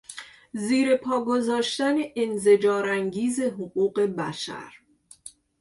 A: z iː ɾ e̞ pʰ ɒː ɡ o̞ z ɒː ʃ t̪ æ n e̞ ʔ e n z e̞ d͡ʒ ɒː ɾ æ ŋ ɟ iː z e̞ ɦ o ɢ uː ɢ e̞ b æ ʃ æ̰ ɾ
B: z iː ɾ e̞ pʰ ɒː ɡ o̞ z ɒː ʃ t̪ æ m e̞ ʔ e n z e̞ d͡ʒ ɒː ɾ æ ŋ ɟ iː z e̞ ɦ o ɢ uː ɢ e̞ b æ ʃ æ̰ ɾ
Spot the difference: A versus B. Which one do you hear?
A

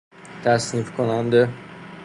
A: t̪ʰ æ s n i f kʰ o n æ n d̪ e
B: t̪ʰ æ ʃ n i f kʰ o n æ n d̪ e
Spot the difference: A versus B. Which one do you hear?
A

